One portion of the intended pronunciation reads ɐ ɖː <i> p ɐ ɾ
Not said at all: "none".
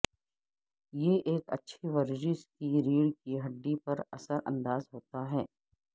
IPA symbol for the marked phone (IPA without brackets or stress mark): i